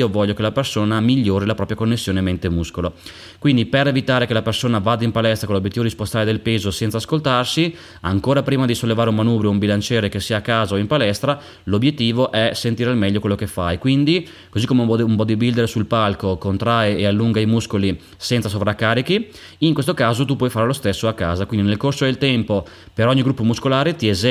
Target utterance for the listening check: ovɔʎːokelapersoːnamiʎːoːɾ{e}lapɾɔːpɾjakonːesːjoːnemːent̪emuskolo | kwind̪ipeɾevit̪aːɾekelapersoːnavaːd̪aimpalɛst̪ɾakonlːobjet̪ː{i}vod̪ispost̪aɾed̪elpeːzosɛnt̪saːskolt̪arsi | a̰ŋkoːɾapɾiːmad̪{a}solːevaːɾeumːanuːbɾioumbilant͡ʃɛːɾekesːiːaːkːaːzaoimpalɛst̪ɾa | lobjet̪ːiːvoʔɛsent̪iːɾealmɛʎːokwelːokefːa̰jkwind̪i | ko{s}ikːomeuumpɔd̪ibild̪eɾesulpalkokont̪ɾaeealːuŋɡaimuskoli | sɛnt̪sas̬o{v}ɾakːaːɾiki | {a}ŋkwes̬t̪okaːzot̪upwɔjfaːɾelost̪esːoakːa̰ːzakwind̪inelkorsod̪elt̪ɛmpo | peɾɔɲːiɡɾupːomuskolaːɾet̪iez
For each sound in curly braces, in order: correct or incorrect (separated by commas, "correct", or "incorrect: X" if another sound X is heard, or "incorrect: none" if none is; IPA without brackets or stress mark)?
incorrect: i, correct, incorrect: i, incorrect: z, correct, incorrect: i